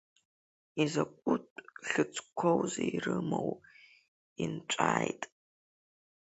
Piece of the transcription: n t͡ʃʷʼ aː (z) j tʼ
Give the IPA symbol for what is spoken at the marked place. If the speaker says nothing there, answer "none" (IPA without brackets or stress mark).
none